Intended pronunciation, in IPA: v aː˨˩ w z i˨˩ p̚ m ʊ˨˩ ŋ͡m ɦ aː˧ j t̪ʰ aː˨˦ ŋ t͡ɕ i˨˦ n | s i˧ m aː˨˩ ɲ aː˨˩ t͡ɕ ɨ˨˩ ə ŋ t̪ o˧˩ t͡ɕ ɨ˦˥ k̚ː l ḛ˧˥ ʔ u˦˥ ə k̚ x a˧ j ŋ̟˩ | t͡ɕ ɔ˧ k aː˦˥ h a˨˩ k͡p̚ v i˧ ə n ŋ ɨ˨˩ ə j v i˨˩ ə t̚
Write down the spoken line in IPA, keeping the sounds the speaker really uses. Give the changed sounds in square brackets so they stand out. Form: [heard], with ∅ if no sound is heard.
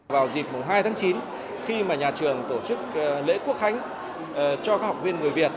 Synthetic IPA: v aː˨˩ w z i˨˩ p̚ m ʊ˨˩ ŋ͡m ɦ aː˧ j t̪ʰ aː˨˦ ŋ t͡ɕ i˨˦ n | [x] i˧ m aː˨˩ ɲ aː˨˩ t͡ɕ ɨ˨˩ ə ŋ t̪ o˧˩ t͡ɕ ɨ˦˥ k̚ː l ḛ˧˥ [k] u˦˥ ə k̚ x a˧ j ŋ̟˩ | t͡ɕ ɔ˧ k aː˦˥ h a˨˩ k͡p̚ v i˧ ə n ŋ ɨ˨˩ ə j v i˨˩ ə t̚